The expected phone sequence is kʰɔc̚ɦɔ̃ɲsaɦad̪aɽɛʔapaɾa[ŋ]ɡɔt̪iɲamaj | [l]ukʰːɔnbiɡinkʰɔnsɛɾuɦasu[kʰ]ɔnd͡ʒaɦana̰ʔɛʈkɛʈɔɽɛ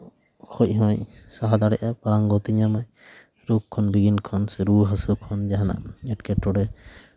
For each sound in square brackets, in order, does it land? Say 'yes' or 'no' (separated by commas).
yes, no, yes